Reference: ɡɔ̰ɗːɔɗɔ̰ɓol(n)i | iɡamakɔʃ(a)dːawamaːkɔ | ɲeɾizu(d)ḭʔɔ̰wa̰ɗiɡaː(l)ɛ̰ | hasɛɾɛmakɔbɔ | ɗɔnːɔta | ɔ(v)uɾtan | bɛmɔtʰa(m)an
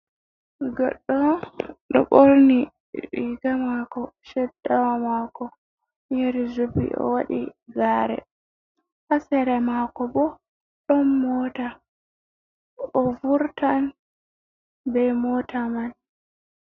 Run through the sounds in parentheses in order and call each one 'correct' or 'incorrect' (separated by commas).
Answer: correct, incorrect, incorrect, incorrect, correct, correct